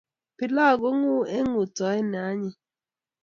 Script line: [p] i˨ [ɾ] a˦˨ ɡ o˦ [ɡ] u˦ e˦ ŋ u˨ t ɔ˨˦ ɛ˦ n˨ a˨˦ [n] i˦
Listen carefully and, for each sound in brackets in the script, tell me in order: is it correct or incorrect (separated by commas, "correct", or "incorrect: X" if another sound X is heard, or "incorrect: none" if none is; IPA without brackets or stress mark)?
correct, incorrect: l, incorrect: ŋ, incorrect: ɲ